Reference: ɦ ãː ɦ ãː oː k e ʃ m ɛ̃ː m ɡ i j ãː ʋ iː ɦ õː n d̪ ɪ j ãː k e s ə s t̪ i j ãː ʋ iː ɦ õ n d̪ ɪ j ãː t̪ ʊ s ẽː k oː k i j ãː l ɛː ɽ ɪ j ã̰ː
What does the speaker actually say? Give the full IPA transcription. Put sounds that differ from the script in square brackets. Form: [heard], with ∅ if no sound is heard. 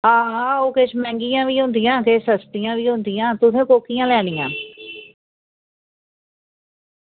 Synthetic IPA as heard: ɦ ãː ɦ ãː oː k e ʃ m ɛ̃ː [ŋ] ɡ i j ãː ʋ iː ɦ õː n d̪ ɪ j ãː k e s ə s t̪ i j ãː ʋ iː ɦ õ n d̪ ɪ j ãː t̪ ʊ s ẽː k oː k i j ãː l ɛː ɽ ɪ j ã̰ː